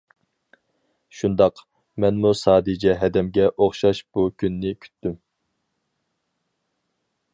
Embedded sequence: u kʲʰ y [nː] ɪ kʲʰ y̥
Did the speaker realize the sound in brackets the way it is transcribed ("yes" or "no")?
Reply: yes